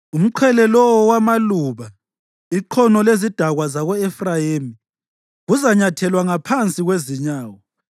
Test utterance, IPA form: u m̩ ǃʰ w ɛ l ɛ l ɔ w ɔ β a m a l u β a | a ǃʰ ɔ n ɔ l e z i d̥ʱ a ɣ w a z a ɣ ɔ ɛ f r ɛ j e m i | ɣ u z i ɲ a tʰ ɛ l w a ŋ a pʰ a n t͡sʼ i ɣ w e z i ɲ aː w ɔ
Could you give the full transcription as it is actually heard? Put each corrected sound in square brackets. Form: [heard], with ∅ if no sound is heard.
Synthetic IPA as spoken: u m̩ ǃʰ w ɛ l ɛ l ɔ w ɔ [w] a m a l u β a | [i] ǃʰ ɔ n ɔ l e z i d̥ʱ a ɣ w a z a ɣ ɔ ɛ f r [a] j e m i | ɣ u z [a] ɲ a tʰ ɛ l w a ŋ a pʰ a n t͡sʼ i ɣ w e z i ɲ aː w ɔ

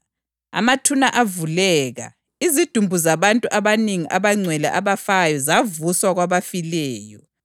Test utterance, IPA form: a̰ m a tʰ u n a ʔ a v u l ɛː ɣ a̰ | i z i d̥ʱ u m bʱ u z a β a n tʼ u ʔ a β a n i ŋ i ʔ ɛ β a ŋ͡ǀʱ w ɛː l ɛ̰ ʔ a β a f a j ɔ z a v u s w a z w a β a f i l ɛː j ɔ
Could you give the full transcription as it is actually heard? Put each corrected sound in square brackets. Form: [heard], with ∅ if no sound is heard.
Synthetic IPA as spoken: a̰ m a tʰ u n a ʔ a v u l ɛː ɣ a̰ | i z i d̥ʱ u m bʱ u z a β a n tʼ u ʔ a β a n i ŋ i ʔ [a] β a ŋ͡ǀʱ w [ɛ] l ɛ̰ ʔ a β a f a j ɔ z a v u s w a [ɣ] w a β a f i l ɛː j ɔ

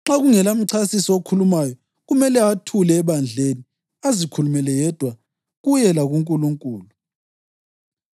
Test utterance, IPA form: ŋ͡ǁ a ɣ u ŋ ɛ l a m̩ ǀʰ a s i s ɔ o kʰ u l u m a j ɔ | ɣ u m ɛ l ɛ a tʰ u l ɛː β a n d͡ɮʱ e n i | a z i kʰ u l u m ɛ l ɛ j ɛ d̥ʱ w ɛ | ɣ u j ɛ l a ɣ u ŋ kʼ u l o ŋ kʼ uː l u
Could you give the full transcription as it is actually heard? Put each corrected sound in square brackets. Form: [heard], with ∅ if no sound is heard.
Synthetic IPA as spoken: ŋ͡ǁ a ɣ u ŋ ɛ l a m̩ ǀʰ a s i s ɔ o kʰ u l u m a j ɔ | ɣ u m ɛ l ɛ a tʰ u l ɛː β a n d͡ɮʱ e n i | a z i kʰ u l u m ɛ l ɛ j ɛ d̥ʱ w [a] | ɣ u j ɛ l a ɣ u ŋ kʼ u l [u] ŋ kʼ uː l u

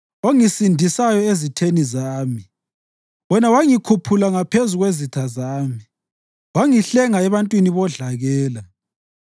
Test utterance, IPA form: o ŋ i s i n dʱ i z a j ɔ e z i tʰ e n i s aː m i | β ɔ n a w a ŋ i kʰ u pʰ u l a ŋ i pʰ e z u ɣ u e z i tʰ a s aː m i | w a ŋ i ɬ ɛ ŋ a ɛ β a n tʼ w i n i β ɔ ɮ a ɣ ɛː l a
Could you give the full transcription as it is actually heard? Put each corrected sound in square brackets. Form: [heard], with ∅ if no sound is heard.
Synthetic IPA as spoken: o ŋ i s i n dʱ i [s] a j ɔ e z i tʰ e n i [z] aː m i | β ɔ n a w a ŋ i kʰ u pʰ u l a ŋ [a] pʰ e z u ɣ [w] e z i tʰ a [z] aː m i | w a ŋ i ɬ ɛ ŋ a ɛ β a n tʼ w i n i β ɔ ɮ a ɣ ɛː l a

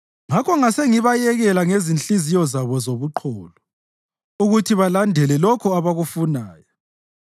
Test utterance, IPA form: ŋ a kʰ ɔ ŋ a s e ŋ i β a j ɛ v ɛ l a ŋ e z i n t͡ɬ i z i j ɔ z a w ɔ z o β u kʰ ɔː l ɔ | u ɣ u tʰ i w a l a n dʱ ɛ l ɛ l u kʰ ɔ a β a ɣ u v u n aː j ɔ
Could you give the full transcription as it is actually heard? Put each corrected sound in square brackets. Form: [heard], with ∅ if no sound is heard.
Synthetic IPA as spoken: ŋ a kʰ ɔ ŋ a s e ŋ i β a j ɛ [ɣ] ɛ l a ŋ e z i n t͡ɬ i z i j ɔ z a [β] ɔ z o β u [ǃʰ] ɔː l ɔ | u ɣ u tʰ i [β] a l a n dʱ ɛ l ɛ l [ɔ] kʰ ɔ a β a ɣ u [f] u n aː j ɔ

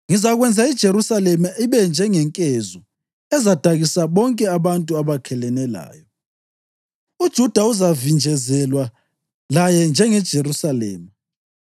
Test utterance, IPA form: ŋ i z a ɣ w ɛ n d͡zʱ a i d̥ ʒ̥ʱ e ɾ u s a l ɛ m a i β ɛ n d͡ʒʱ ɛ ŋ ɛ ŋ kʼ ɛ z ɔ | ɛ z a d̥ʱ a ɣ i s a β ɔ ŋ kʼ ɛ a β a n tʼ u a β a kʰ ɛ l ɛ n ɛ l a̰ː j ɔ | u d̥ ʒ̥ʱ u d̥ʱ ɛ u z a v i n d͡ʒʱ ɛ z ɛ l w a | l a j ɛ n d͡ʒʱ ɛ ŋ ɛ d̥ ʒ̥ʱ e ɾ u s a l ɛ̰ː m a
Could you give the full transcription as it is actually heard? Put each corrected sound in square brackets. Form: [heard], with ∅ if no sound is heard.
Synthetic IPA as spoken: ŋ i z a ɣ w ɛ n d͡zʱ a i d̥ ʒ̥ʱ e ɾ u s a l ɛ m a i β ɛ n d͡ʒʱ ɛ ŋ ɛ ŋ kʼ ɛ z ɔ | ɛ z a d̥ʱ a ɣ i s a β ɔ ŋ kʼ ɛ a β a n tʼ u a β a kʰ ɛ l ɛ n ɛ l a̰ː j ɔ | u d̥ ʒ̥ʱ u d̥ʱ [a] u z a v i n d͡ʒʱ ɛ z ɛ l w a | l a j ɛ n d͡ʒʱ ɛ ŋ ɛ d̥ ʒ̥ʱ e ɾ u s a l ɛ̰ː m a

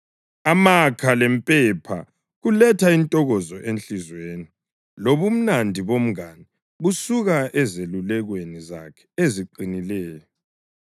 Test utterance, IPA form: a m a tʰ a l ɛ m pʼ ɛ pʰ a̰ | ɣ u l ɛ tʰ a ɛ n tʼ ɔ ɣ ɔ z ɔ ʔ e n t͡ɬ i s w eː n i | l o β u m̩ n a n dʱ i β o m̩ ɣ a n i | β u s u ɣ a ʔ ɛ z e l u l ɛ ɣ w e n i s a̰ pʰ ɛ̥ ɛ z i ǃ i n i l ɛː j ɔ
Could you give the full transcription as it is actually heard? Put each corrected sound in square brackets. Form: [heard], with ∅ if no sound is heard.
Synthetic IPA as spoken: a m a [kʰ] a l ɛ m pʼ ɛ pʰ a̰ | ɣ u l ɛ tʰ a [i] n tʼ ɔ ɣ ɔ z ɔ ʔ e n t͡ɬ i [z] w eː n i | l o β u m̩ n a n dʱ i β o m̩ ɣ a n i | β u s u ɣ a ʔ ɛ z e l u l ɛ ɣ w e n i [z] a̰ [kʰ] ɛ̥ [e] z i ǃ i n i l ɛː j ɔ

